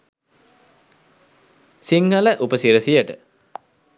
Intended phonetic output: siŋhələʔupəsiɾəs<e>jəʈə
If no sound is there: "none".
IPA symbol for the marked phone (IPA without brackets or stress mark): i